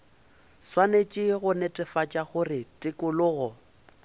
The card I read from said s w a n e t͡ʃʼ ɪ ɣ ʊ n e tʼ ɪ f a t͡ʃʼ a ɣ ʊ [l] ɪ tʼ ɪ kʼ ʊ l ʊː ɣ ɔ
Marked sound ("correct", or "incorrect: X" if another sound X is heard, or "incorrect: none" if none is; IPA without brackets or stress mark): incorrect: r